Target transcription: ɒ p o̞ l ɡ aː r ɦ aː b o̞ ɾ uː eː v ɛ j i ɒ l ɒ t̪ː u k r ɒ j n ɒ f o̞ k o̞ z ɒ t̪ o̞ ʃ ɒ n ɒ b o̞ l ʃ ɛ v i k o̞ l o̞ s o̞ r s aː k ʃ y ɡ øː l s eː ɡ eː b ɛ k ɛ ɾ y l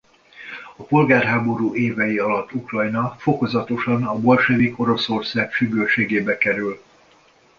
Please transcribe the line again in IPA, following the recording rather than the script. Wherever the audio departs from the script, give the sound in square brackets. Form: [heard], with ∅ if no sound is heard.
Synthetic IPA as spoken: ɒ p o̞ l ɡ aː r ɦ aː b o̞ ɾ uː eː v ɛ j i ɒ l ɒ t̪ː u k r ɒ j n ɒ f o̞ k o̞ z ɒ t̪ o̞ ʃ ɒ n ɒ b o̞ l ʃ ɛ v i k o̞ [ɾ] o̞ s o̞ r s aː k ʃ y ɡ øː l [ʃ] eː ɡ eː b ɛ k ɛ ɾ y l